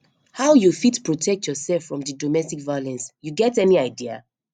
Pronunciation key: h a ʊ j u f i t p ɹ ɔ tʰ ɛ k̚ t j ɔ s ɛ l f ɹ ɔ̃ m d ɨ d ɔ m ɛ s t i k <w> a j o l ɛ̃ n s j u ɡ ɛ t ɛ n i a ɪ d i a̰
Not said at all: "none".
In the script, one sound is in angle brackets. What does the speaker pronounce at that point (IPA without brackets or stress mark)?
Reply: v